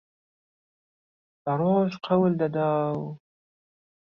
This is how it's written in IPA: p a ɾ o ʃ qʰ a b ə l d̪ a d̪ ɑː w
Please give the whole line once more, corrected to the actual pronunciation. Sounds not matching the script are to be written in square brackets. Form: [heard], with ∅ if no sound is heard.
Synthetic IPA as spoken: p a ɾ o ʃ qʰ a [w] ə l d̪ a d̪ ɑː w